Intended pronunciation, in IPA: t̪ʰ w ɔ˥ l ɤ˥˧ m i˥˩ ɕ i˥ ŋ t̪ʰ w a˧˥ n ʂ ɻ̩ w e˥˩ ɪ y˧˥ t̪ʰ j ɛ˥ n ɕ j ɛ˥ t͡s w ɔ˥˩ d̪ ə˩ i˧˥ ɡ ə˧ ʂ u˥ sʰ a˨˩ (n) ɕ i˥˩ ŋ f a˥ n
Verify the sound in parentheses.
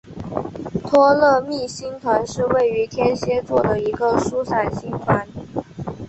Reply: correct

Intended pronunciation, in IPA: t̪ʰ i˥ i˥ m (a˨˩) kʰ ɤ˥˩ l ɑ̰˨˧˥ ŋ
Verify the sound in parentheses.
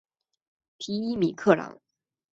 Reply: incorrect: i˨˩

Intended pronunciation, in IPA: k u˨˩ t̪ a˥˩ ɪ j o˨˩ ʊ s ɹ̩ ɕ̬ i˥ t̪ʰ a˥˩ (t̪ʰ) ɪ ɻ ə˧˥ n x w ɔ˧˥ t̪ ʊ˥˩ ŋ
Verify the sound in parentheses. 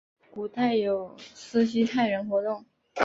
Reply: incorrect: none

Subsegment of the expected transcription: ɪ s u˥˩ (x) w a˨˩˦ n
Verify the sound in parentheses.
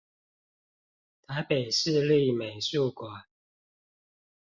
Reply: incorrect: k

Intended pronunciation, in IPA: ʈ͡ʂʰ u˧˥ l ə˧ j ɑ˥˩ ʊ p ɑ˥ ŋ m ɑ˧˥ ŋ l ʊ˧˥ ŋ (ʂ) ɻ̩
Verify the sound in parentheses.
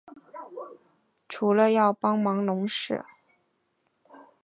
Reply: correct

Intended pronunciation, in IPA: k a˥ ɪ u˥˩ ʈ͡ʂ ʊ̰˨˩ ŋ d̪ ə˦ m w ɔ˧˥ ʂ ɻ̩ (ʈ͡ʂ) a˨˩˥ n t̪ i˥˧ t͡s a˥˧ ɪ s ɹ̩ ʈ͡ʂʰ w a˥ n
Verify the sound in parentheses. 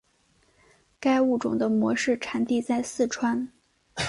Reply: incorrect: ʈ͡ʂʰ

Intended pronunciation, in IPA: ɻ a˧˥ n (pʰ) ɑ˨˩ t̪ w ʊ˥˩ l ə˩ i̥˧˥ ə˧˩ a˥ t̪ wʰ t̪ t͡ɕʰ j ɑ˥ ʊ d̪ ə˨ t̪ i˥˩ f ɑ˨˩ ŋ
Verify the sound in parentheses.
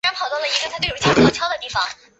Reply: correct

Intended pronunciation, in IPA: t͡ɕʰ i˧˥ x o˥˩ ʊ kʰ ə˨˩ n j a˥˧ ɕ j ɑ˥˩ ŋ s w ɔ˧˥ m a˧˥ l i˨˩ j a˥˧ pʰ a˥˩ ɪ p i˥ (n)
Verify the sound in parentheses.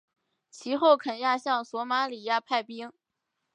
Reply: incorrect: ŋ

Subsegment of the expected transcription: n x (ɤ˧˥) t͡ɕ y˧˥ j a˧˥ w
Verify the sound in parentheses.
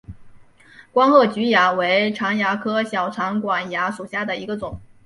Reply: incorrect: ɤ˥˩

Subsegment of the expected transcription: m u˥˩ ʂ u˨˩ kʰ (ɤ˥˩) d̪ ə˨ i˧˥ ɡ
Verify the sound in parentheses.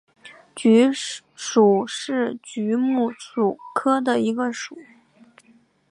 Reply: incorrect: ɤ˥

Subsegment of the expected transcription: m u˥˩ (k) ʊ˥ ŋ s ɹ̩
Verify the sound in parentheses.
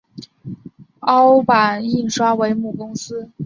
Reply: correct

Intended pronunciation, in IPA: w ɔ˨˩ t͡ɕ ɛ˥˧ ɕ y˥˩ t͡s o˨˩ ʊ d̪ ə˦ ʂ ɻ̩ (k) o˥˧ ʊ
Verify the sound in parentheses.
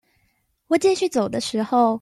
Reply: incorrect: x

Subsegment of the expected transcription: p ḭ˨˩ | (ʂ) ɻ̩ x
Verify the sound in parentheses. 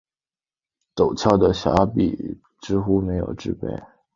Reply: incorrect: ʈ͡ʂ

